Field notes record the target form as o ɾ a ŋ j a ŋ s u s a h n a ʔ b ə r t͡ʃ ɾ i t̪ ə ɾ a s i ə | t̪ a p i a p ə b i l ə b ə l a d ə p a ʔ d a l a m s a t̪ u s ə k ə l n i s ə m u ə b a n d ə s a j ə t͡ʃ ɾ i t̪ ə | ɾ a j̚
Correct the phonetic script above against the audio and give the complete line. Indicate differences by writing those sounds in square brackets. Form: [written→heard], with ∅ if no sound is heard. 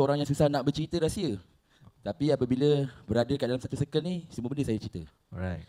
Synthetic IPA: o ɾ a ŋ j a ŋ s u s a h n a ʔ b ə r t͡ʃ ɾ i t̪ ə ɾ a s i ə | t̪ a p i a p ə b i l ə b ə [l→ɾ] a d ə [p→k] a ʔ d a l a m s a t̪ u s ə k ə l n i s ə m u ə b [a→ə] n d ə s a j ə t͡ʃ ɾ i t̪ ə | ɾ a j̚